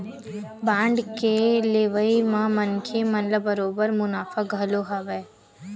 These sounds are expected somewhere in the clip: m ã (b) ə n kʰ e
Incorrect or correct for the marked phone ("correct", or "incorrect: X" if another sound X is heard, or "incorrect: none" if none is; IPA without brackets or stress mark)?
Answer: incorrect: m